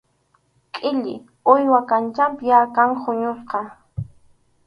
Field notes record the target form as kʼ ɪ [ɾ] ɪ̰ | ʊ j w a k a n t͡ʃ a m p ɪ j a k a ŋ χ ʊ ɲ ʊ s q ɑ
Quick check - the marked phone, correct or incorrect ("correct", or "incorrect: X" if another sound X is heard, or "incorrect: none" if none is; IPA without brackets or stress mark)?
incorrect: ʎ